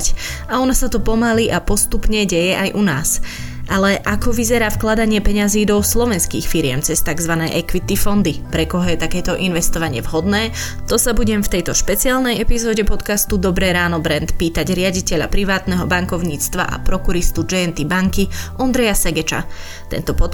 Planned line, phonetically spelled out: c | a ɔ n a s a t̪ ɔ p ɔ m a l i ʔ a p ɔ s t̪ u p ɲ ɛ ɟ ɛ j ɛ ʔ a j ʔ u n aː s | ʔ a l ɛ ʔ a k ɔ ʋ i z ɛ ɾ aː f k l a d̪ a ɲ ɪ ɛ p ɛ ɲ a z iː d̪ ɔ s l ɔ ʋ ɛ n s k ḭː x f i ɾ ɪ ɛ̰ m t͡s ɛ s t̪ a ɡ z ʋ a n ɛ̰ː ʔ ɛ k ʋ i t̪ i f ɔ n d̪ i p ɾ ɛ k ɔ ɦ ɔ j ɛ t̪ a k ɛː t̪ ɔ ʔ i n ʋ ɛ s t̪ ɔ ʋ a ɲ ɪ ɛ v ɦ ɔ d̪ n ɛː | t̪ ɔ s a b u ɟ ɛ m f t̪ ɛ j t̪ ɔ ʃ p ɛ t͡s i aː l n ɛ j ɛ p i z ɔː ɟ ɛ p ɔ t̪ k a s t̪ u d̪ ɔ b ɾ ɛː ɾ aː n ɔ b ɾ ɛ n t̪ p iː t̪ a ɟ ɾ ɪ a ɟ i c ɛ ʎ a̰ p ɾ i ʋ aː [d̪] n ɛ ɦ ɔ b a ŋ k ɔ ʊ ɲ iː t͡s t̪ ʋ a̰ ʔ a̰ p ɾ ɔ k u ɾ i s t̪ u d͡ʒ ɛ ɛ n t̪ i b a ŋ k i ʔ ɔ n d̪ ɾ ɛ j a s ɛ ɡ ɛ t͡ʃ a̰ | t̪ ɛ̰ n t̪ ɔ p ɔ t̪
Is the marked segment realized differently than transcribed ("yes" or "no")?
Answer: yes